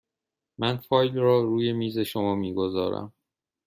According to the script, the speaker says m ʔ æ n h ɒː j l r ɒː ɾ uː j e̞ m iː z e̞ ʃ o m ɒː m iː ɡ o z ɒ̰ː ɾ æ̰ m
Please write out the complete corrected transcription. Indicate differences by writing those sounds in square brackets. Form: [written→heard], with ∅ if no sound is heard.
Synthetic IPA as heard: m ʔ æ n [h→f] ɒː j l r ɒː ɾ uː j e̞ m iː z e̞ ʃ o m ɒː m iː ɡ o z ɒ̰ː ɾ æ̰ m